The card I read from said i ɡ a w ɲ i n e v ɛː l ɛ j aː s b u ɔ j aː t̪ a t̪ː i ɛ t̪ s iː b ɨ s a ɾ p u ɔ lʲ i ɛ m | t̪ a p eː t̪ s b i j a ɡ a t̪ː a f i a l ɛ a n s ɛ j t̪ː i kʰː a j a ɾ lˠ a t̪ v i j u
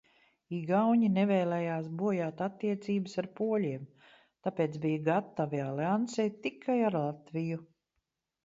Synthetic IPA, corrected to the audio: i ɡ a w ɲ i n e v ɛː l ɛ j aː s b u ɔ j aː t̪ a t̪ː i ɛ t̪ s iː b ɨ s a ɾ p u ɔ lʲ i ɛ m | t̪ a p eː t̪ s b i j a ɡ a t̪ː a v i a l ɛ a n s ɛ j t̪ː i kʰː a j a ɾ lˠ a t̪ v i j u